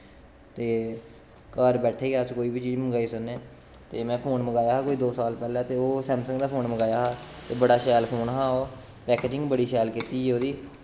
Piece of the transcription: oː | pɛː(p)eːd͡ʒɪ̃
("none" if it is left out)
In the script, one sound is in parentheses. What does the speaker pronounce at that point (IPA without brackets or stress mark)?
k